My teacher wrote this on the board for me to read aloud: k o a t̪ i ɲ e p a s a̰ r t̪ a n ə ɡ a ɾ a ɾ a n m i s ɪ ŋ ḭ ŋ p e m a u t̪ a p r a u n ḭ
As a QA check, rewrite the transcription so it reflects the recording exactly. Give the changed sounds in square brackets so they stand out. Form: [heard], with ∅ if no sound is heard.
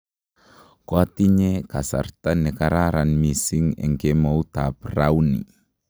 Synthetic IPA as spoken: k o a t̪ i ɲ e [k] a s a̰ r t̪ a n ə [k] a ɾ a ɾ a n m i s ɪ ŋ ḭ ŋ [k] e m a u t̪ a p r a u n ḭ